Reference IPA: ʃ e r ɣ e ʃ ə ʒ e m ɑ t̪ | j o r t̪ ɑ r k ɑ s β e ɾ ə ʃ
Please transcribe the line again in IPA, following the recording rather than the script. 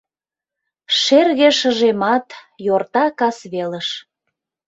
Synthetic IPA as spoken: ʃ e r ɣ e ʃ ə ʒ e m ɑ t̪ | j o r t̪ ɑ k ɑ s β e l ə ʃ